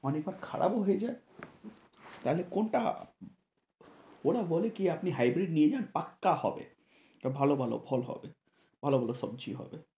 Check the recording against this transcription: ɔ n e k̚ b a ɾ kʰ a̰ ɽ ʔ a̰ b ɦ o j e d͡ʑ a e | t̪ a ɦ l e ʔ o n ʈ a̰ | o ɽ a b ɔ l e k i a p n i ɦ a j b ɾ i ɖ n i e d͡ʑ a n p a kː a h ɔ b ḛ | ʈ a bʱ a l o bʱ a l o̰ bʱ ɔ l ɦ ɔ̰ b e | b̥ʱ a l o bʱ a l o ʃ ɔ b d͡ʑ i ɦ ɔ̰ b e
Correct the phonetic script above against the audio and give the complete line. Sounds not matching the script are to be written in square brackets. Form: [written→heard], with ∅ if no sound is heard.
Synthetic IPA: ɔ n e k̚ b a ɾ kʰ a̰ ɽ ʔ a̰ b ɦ o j e d͡ʑ a e | t̪ a ɦ l e [ʔ→k] o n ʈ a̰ | o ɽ a b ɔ l e k i a p n i ɦ a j b ɾ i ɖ n i e d͡ʑ a n p a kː a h ɔ b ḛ | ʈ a bʱ a l o bʱ a l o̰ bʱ ɔ l ɦ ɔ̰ b e | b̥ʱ a l o bʱ a l o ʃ ɔ b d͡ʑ i ɦ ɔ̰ b e